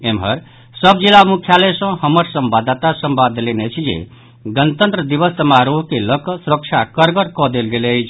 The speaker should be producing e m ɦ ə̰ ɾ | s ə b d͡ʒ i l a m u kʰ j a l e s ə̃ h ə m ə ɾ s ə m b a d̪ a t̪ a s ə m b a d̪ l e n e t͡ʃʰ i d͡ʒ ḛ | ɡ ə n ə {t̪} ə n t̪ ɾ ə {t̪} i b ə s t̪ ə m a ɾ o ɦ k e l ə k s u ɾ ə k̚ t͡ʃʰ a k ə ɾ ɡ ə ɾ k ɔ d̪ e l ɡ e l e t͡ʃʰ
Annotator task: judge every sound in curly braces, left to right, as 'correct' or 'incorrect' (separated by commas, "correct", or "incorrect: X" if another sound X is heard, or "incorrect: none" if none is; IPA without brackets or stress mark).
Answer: correct, incorrect: d̪